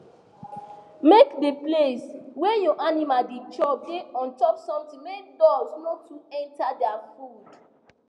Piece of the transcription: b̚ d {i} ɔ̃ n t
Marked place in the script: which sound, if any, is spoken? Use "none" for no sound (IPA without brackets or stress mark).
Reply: e